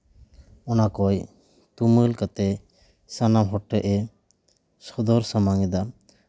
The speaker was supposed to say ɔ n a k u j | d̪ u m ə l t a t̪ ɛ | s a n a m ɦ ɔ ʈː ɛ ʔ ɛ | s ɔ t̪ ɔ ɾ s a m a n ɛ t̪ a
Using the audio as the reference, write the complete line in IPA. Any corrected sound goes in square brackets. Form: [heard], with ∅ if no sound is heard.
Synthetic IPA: ɔ n a k [ɔ] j | [t̪] u m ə l [k] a t̪ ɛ | s a n a m ɦ ɔ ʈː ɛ ʔ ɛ | s ɔ [d̪] ɔ ɾ s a m a [ŋ] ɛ [d̪] a